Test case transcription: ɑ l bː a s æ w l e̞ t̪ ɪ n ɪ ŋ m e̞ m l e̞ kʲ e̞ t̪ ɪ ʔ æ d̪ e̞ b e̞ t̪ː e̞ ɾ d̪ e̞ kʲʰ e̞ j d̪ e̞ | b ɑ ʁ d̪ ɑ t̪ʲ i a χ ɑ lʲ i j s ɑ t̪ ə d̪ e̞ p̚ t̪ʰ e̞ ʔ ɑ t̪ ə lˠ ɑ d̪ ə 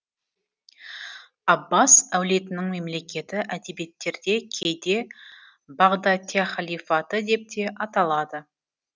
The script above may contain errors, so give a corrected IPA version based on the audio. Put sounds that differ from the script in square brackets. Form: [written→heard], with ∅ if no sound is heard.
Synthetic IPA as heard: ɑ [l→∅] bː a s æ w l e̞ t̪ ɪ n ɪ ŋ m e̞ m l e̞ kʲ e̞ t̪ ɪ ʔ æ d̪ e̞ b e̞ t̪ː e̞ ɾ d̪ e̞ kʲʰ e̞ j d̪ e̞ | b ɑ ʁ d̪ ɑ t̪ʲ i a χ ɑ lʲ i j [s→f] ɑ t̪ ə d̪ e̞ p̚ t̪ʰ e̞ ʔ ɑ t̪ [ə→ɑ] lˠ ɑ d̪ ə